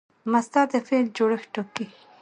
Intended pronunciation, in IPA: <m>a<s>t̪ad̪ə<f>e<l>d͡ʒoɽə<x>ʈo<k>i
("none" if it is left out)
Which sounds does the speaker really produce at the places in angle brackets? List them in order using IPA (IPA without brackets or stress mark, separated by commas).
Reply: m, s, f, l, x, k